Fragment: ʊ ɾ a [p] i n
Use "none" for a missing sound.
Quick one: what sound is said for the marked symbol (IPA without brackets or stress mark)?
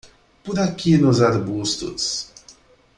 k